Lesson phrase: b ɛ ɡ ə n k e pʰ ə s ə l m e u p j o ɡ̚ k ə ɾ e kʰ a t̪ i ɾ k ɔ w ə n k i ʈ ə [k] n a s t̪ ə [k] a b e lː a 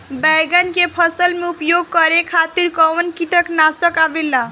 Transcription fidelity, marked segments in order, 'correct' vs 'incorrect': correct, correct

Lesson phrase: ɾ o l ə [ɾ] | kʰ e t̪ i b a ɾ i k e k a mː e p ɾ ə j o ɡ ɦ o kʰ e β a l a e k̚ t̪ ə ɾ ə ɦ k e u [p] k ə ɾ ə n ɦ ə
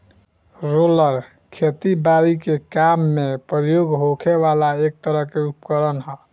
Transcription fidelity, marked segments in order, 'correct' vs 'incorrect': correct, correct

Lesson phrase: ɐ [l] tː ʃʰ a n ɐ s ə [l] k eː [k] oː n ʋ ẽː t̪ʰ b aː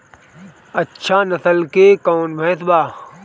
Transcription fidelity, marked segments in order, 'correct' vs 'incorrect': incorrect: none, correct, correct

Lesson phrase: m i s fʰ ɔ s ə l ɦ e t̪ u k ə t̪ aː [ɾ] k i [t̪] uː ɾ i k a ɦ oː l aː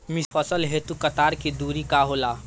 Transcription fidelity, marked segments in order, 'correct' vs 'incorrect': correct, incorrect: d̪

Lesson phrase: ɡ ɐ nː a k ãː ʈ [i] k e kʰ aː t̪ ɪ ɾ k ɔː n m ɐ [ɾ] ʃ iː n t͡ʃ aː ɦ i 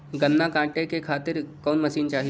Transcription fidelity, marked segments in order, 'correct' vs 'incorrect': incorrect: e, incorrect: none

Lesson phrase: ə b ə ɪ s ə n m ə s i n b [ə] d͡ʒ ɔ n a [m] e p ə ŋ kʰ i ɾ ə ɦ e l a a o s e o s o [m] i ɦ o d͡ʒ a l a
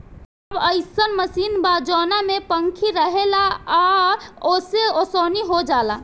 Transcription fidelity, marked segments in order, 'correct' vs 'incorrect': incorrect: a, correct, incorrect: n

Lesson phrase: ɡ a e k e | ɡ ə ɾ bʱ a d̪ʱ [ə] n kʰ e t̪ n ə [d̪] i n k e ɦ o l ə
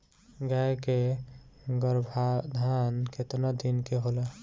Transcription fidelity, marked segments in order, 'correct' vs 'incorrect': incorrect: a, correct

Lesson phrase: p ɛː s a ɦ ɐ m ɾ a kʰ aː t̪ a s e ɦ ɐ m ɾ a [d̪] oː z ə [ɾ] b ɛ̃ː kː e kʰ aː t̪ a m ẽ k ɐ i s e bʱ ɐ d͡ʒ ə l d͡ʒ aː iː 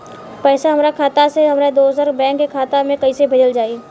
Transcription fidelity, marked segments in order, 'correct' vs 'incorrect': correct, correct

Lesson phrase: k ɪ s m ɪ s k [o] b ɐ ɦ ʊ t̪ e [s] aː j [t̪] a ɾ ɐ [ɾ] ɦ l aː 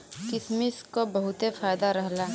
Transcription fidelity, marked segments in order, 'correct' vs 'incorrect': correct, incorrect: f, incorrect: d̪, incorrect: none

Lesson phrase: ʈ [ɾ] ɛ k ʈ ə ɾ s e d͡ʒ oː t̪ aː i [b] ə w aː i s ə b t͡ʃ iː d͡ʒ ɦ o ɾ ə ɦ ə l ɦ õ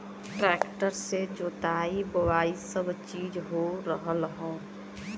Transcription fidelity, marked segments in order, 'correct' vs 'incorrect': correct, correct

